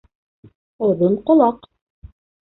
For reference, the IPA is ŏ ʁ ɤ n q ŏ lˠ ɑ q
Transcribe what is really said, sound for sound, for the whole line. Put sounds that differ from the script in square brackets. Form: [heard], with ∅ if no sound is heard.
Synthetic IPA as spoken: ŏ [ð] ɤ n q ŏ lˠ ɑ q